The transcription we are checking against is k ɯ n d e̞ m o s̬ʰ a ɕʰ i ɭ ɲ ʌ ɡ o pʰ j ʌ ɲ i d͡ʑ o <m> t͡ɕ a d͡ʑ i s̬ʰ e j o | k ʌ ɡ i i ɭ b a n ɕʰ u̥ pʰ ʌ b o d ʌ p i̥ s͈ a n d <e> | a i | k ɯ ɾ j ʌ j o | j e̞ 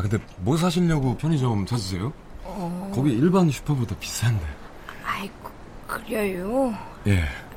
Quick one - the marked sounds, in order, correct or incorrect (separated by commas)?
correct, correct